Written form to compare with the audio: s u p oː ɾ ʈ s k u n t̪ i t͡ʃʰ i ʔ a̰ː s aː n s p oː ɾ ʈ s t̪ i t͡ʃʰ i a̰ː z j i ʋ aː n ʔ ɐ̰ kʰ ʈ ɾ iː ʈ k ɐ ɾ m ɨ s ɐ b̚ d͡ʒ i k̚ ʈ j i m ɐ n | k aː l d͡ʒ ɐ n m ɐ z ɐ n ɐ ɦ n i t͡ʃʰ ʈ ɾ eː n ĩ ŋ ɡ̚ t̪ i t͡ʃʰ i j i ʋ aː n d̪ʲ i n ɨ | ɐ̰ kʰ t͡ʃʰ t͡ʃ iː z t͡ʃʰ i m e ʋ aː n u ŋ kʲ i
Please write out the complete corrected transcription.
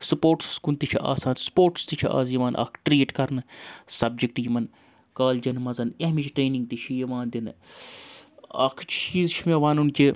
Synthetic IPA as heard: s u p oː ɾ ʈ s k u n t̪ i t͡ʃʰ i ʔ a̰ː s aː n s p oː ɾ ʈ s t̪ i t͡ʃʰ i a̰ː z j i ʋ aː n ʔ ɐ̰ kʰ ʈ ɾ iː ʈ k ɐ ɾ n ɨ s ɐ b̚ d͡ʒ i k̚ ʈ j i m ɐ n | k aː l d͡ʒ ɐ n m ɐ z ɐ n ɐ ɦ m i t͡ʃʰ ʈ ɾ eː n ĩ ŋ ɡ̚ t̪ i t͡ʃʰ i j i ʋ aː n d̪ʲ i n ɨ | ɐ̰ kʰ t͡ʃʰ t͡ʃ iː z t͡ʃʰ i m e ʋ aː n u n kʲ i